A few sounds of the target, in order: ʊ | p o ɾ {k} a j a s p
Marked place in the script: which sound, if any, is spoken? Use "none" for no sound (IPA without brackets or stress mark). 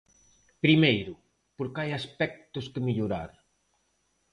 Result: k